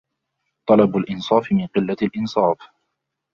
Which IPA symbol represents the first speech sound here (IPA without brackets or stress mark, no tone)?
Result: t̪ˤ